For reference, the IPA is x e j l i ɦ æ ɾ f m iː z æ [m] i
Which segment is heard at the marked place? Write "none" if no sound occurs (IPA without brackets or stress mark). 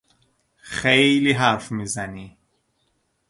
n